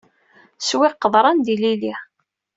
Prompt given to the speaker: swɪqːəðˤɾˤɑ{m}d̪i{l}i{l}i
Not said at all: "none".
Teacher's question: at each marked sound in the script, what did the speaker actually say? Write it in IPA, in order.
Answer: n, l, l

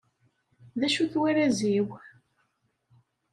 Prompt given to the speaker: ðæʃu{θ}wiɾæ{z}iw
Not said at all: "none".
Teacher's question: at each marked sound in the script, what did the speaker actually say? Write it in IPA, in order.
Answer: θ, z

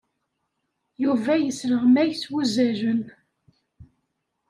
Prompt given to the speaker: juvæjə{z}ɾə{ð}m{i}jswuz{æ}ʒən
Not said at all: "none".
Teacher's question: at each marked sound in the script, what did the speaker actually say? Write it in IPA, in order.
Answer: s, ʁ, æ, æ

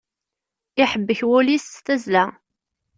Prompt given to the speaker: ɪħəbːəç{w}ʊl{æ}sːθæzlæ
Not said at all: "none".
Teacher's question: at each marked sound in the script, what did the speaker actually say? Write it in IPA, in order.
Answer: w, i

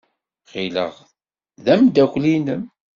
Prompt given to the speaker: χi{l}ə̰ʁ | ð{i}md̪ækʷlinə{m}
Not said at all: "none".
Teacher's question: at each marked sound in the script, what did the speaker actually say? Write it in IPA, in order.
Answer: l, æ, m

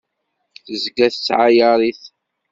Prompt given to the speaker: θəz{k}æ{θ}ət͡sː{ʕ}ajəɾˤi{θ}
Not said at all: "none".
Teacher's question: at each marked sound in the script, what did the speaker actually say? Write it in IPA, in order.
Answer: ɡ, θ, ʕ, θ

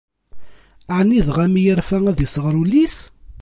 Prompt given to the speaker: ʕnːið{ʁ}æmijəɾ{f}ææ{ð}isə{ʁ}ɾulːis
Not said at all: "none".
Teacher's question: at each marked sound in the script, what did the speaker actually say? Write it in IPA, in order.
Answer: ʁ, f, ð, ʁ

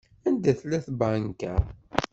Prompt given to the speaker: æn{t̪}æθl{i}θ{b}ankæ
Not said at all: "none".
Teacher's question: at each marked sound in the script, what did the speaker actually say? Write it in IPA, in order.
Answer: d̪, æ, b

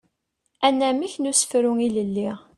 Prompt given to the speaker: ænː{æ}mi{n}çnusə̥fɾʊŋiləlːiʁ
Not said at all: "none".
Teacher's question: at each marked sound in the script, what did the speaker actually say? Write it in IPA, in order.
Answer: æ, none

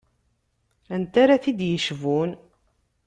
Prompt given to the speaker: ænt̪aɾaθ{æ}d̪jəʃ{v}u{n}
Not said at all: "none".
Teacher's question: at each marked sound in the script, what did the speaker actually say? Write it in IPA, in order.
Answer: i, v, n

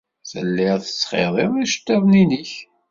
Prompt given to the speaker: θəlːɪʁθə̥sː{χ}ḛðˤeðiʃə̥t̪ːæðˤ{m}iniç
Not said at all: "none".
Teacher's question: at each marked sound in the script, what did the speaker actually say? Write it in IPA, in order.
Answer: χ, n

